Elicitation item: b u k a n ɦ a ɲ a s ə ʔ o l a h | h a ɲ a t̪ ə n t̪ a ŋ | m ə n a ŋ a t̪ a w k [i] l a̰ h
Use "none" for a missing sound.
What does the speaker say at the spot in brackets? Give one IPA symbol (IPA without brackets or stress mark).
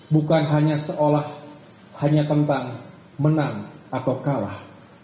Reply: a